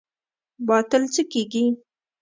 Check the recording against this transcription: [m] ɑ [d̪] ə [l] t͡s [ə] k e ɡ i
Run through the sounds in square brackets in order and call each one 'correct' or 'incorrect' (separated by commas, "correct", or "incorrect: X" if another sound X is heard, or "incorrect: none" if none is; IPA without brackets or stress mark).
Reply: incorrect: b, incorrect: t̪, correct, correct